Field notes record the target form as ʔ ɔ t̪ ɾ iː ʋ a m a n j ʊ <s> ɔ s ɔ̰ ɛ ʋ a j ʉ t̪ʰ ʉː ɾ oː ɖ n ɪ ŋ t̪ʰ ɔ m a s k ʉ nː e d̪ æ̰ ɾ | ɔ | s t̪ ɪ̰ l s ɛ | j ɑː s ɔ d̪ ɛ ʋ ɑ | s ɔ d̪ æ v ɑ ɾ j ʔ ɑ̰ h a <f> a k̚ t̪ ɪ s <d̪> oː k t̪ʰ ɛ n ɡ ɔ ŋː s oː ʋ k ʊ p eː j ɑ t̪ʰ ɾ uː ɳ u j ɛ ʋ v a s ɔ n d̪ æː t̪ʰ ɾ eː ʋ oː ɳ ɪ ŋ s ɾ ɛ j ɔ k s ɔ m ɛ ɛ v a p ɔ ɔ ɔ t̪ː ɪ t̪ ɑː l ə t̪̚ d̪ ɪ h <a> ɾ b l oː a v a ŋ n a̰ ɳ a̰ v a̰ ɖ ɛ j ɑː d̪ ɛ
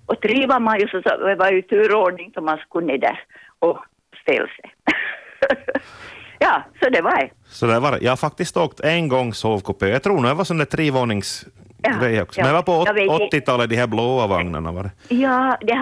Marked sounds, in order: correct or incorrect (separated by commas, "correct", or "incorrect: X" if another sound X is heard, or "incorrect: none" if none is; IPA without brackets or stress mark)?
correct, correct, incorrect: t̪, incorrect: æ